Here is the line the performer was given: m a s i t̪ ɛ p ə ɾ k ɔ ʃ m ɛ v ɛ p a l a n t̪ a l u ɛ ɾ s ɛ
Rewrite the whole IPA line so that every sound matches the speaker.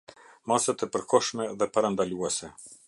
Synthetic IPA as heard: m a s a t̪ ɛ p ə ɾ k ɔ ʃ m ɛ ð ɛ p a ɾ a n d̪ a l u ɛ s ɛ